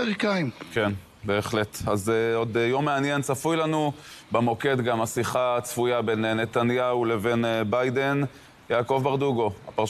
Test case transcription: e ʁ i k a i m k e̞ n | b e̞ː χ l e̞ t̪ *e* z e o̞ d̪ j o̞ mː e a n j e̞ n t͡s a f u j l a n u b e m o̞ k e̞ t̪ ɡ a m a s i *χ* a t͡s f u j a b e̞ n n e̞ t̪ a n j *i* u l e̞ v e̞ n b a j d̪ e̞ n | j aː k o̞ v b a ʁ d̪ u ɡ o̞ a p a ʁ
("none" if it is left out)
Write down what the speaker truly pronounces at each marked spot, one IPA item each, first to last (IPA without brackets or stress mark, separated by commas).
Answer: a, χ, a